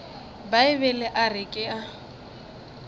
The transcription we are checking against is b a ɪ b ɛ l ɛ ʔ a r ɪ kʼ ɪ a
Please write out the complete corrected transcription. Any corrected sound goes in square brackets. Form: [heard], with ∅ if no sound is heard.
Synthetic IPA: b a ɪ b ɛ l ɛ ʔ a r ɪ kʼ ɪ a